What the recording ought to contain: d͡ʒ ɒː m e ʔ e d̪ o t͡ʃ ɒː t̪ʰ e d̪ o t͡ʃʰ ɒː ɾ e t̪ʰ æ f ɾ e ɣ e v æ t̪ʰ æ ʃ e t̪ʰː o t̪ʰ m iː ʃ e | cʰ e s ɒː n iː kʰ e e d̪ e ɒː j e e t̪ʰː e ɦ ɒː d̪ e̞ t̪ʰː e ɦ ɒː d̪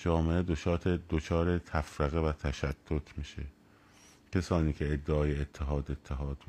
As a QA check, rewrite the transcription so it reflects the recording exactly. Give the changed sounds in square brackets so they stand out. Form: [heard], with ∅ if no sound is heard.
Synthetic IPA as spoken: d͡ʒ ɒː m e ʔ e d̪ o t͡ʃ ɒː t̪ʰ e d̪ o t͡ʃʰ ɒː ɾ e t̪ʰ æ f ɾ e ɣ e v æ t̪ʰ æ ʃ [æ] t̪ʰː o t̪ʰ m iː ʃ e | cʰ e s ɒː n iː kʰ e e [d̪ː] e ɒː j e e t̪ʰː e ɦ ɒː d̪ e̞ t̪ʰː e ɦ ɒː d̪